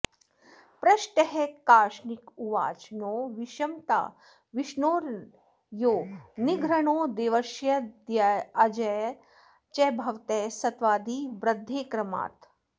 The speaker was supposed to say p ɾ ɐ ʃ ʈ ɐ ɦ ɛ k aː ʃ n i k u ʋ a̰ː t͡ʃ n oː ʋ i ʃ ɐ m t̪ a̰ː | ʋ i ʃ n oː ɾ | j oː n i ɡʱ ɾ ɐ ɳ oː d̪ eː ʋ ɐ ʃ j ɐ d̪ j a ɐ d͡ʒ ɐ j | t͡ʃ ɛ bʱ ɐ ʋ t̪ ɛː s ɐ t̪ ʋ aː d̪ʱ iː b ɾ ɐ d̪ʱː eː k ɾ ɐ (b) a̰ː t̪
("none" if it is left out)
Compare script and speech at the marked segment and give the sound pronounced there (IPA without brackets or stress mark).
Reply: m